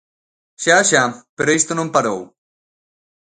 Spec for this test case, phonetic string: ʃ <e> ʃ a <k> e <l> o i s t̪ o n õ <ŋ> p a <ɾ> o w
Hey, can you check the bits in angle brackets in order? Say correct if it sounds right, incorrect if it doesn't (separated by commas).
incorrect, incorrect, incorrect, incorrect, correct